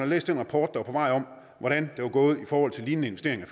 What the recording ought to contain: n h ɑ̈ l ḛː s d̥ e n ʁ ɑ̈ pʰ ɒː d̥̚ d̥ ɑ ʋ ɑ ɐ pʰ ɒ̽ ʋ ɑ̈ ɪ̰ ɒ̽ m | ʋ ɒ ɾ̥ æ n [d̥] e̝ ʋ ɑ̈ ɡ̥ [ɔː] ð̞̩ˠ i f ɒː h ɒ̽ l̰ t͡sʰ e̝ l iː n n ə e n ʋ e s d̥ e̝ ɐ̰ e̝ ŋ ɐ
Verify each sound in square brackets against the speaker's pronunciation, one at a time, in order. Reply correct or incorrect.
correct, correct

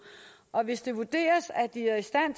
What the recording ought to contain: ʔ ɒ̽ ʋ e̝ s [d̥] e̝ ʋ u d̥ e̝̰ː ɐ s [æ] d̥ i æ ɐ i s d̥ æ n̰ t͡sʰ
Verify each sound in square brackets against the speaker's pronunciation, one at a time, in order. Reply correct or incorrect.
correct, correct

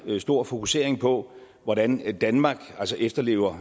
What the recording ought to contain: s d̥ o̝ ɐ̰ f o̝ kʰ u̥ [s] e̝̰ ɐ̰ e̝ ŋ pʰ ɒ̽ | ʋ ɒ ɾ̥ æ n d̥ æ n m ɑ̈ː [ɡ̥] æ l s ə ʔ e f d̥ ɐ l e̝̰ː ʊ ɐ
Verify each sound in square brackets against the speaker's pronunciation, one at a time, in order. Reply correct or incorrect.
correct, correct

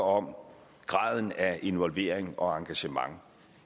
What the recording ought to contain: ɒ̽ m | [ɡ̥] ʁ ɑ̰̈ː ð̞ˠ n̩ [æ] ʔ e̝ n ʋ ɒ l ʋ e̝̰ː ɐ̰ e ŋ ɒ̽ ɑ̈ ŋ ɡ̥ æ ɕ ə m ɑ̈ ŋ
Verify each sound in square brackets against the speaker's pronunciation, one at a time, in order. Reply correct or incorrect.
correct, correct

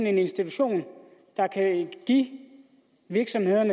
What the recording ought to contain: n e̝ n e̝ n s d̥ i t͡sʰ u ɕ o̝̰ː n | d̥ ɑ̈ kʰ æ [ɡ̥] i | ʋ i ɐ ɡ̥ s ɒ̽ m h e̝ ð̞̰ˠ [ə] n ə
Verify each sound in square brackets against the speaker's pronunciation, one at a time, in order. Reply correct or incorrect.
correct, incorrect: ɐ

